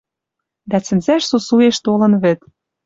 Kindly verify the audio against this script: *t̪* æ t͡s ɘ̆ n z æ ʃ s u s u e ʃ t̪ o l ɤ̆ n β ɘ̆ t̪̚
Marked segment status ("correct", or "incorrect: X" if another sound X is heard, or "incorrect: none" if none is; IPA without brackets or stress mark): incorrect: d̪